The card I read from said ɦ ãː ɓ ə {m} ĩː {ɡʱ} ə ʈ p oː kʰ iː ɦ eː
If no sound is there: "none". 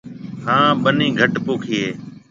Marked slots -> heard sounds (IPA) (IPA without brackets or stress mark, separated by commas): n, ɡʱ